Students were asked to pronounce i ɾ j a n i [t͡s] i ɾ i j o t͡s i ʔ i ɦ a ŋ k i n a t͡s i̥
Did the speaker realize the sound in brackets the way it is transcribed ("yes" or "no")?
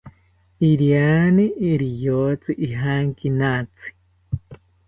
no